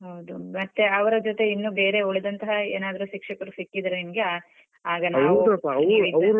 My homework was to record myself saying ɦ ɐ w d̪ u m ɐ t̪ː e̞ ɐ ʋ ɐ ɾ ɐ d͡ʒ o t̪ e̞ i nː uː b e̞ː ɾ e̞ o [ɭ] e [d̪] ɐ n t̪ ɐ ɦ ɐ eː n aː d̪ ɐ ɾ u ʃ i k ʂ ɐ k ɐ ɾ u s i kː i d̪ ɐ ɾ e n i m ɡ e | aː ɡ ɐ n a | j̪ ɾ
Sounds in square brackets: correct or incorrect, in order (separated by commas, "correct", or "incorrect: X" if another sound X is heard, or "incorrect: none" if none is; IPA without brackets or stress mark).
correct, correct